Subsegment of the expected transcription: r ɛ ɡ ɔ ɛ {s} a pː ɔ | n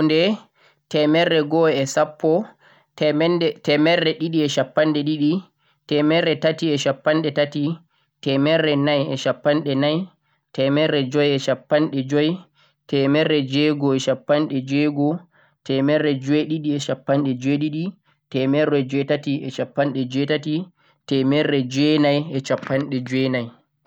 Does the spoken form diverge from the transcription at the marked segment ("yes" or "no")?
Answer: no